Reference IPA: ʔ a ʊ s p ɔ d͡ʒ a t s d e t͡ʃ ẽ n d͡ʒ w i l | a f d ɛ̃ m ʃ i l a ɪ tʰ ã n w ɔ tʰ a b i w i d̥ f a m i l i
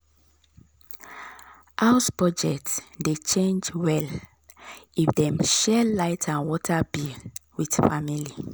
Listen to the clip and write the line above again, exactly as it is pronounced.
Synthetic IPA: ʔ a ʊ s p ɔ d͡ʒ ɛ t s d e t͡ʃ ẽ n d͡ʒ w ɛ l | i f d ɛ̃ m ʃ ɛ l a ɪ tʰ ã n w ɔ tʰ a b i w i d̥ f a m i l i